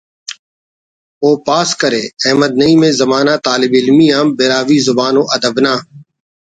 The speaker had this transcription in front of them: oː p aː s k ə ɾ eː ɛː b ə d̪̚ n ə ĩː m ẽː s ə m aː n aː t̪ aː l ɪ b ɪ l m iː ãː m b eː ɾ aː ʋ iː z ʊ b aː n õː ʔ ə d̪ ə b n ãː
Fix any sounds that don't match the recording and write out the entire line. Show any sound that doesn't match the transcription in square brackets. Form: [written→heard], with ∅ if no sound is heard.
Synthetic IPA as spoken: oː p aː s k ə ɾ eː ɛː [b→m] ə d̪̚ n ə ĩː m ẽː [s→z] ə m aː n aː t̪ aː l ɪ b ɪ l m iː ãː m b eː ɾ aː ʋ iː z ʊ b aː n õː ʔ ə d̪ ə b n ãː